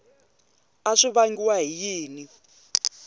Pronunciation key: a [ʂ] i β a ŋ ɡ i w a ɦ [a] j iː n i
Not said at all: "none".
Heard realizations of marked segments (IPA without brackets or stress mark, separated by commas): ʂ, i